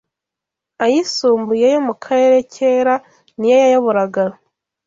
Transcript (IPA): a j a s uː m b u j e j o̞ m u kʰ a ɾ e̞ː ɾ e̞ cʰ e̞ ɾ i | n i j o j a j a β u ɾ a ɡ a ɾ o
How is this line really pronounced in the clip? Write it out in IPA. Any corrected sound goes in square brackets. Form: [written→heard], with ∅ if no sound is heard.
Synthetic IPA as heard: a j [a→i] s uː m b u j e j o̞ m u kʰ a ɾ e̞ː ɾ e̞ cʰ e̞ ɾ [i→a] | n i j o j a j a β u ɾ a ɡ a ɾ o